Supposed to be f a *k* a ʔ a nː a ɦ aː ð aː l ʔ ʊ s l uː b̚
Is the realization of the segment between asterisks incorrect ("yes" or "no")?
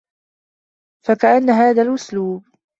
no